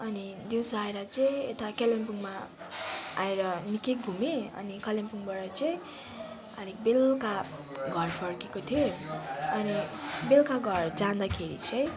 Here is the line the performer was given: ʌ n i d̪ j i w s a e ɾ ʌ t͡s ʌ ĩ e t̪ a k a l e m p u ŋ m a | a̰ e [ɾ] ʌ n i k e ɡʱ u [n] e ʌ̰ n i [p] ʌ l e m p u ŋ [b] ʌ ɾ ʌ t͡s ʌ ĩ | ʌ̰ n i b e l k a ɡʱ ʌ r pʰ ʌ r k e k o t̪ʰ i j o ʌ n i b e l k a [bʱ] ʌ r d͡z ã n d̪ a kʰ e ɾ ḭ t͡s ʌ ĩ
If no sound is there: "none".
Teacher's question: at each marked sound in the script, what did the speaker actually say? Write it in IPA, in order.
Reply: ɾ, m, k, b, ɡʱ

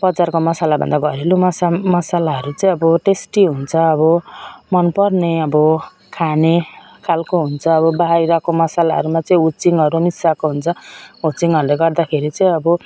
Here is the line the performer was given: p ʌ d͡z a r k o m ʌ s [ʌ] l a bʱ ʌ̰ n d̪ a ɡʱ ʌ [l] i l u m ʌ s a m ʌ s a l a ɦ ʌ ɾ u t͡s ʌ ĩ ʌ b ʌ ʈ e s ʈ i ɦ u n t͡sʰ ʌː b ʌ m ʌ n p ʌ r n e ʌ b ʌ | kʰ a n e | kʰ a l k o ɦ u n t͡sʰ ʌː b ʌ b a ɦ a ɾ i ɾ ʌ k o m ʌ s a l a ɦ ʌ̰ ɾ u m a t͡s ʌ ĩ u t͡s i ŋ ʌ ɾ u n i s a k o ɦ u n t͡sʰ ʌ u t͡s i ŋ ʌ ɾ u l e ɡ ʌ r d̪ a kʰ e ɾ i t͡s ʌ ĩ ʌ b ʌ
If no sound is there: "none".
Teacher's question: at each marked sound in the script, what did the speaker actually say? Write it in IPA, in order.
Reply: a, ɾ

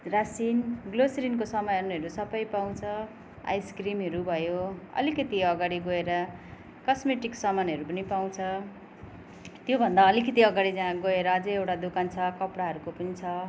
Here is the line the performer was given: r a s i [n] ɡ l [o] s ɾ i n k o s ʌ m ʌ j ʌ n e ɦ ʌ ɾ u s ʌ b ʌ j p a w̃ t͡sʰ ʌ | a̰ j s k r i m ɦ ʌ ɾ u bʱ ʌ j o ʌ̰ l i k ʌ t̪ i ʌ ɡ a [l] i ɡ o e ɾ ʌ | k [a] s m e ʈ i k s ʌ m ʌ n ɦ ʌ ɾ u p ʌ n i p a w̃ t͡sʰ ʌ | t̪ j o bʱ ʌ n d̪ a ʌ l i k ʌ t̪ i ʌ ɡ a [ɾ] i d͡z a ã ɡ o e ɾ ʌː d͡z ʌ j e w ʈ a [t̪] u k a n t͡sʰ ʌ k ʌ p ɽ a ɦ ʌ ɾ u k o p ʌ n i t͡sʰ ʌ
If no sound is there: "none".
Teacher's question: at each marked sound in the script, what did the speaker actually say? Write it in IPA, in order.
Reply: n, o, ɽ, ʌ, ɽ, d̪

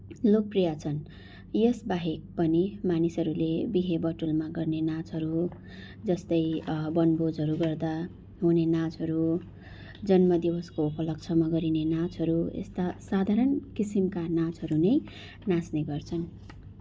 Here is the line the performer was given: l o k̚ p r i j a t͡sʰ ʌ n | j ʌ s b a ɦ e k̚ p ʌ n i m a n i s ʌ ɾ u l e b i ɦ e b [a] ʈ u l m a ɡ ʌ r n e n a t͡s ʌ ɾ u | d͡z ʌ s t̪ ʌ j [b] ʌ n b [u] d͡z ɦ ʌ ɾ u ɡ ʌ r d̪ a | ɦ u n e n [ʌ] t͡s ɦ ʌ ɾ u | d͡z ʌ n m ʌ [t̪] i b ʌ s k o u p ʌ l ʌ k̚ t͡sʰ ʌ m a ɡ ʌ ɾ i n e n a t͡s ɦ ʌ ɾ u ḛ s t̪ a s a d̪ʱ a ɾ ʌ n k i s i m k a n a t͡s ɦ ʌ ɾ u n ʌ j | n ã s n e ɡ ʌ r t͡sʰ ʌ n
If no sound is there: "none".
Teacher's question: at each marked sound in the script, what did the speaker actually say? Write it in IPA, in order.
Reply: ʌ, b, o, a, d̪

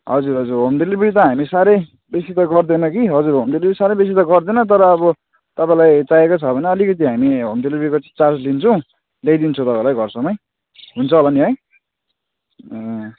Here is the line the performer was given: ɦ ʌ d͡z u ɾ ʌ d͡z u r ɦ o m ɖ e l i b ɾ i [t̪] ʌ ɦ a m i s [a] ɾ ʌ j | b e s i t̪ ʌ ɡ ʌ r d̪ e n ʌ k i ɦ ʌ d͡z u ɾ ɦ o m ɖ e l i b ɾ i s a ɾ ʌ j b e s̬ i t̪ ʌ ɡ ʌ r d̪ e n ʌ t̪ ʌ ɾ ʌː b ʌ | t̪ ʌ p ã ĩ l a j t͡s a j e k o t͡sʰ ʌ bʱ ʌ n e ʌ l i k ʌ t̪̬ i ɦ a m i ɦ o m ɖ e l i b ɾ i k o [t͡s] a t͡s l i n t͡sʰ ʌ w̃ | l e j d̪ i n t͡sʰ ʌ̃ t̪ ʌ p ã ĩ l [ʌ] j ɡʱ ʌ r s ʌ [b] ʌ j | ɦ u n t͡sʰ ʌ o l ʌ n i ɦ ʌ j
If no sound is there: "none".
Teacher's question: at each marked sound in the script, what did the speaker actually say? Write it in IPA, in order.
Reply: t̪, a, t͡s, a, m

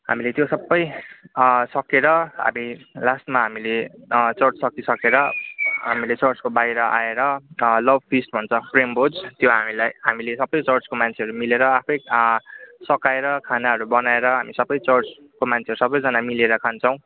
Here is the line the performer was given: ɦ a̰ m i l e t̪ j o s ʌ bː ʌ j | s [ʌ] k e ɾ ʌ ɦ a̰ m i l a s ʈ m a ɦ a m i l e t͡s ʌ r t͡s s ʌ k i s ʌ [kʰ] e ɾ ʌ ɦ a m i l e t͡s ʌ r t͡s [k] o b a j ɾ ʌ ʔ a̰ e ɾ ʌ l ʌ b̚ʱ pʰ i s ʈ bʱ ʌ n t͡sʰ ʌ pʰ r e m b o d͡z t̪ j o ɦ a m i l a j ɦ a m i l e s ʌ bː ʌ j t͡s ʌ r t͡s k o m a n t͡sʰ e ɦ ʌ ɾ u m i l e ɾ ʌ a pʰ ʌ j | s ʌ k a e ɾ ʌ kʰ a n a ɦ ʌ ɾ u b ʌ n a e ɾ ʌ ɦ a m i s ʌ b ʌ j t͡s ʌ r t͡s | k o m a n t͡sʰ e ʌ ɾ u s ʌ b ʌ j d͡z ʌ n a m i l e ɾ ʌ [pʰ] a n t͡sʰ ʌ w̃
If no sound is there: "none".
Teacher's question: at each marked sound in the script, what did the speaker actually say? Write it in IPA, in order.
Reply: ʌ, k, k, kʰ

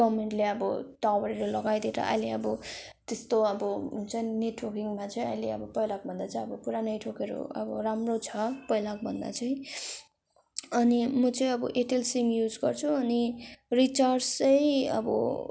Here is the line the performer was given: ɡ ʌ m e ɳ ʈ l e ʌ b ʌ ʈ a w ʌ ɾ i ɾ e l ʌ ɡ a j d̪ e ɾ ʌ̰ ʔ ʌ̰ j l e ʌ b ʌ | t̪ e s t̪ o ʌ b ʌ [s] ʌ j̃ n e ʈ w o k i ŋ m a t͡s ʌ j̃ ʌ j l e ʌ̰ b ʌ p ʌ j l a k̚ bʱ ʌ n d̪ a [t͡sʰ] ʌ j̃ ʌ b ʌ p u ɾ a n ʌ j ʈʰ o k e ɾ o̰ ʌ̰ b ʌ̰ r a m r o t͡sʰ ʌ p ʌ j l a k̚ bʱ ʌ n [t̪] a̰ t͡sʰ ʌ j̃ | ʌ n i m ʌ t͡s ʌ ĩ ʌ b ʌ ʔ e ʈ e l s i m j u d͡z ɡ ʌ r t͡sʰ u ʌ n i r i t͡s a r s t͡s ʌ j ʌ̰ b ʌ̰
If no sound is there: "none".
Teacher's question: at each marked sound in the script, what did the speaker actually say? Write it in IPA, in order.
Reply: t͡s, t͡s, d̪

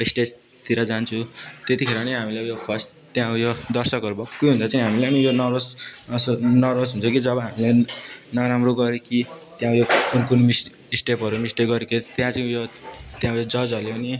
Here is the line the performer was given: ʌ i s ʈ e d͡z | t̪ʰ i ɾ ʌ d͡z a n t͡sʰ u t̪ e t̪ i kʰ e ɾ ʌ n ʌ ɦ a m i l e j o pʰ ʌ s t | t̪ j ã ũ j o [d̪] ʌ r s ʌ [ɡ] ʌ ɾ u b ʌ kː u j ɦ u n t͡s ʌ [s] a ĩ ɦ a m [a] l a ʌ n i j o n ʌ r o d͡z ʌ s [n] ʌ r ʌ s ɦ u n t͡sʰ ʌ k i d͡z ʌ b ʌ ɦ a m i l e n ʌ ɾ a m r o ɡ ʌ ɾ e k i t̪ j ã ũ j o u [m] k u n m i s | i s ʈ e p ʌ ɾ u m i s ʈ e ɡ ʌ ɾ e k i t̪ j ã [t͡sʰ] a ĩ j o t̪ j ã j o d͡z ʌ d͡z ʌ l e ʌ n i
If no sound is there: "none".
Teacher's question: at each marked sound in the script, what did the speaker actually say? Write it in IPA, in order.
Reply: d̪, k, t͡s, i, n, n, t͡s

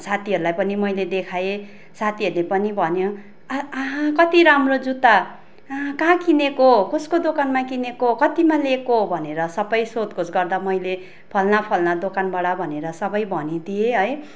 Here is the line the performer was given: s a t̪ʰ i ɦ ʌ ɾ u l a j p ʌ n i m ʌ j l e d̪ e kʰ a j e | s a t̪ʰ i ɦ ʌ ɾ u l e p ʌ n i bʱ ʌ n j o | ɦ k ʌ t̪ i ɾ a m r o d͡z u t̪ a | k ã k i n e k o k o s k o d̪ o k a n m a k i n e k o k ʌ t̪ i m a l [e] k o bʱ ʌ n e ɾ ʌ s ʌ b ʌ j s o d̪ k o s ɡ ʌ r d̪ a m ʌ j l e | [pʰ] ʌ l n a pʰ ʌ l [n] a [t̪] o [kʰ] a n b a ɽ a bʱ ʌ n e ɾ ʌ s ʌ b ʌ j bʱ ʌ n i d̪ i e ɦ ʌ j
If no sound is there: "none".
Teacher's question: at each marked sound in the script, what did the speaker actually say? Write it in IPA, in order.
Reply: e, pʰ, n, d̪, k

